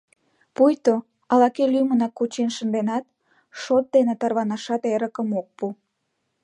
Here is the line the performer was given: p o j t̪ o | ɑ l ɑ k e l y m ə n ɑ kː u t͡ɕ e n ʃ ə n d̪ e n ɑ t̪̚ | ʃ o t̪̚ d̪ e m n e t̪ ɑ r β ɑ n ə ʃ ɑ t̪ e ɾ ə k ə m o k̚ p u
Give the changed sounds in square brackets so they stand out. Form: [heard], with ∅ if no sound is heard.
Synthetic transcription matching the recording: p [u] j t̪ o | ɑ l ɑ k e l y m ə n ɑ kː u t͡ɕ e n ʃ ə n d̪ e n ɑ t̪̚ | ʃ o t̪̚ d̪ e [∅] n e t̪ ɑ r β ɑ n [ɑ] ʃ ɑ t̪ e ɾ ə k ə m o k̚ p u